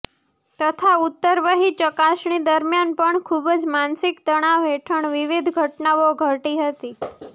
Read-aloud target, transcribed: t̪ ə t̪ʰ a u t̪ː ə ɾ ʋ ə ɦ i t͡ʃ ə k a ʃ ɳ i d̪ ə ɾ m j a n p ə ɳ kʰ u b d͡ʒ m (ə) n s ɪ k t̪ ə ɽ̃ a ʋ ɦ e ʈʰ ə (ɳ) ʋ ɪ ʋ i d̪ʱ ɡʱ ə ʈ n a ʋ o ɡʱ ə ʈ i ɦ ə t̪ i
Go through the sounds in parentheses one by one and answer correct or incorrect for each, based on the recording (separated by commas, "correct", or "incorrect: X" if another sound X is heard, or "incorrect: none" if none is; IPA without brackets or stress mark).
incorrect: a, correct